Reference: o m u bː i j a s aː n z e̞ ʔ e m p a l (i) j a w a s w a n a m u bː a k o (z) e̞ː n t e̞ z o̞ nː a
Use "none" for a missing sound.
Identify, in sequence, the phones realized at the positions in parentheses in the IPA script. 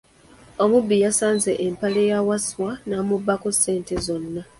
e, s

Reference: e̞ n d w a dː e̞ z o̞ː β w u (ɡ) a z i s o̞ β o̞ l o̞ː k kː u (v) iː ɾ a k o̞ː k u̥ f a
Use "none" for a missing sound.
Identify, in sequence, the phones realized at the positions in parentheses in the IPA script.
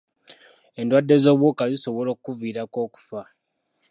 k, v

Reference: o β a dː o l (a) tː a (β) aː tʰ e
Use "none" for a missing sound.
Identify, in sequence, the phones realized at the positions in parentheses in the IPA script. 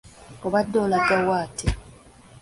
a, w

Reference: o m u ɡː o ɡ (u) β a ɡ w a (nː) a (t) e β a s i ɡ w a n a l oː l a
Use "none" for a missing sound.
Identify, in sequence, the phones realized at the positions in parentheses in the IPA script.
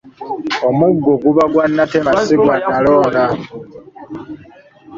u, nː, t

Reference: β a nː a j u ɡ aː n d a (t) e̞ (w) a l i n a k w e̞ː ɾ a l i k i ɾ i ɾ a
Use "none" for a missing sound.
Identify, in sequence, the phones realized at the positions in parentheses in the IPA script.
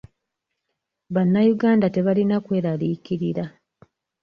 t, β

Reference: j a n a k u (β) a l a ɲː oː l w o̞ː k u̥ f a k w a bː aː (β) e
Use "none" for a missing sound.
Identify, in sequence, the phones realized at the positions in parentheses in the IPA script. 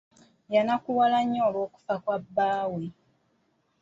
w, w

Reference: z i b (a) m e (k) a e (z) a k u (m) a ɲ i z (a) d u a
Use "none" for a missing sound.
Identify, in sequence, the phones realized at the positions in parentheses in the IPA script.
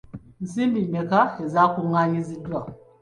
i, k, z, ŋ, i

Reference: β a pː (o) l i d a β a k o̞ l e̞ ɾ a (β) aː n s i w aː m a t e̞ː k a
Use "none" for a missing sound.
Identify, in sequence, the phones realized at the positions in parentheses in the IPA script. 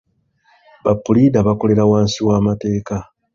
u, w

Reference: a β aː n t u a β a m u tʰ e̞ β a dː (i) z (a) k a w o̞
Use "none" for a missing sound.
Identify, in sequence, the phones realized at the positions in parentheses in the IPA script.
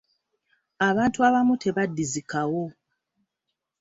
i, i

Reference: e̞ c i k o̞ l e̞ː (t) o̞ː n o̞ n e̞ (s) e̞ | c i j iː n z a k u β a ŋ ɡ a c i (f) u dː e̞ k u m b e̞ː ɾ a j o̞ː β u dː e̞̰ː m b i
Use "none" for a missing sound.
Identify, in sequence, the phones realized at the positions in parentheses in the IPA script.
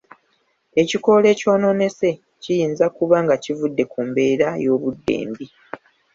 c, s, v

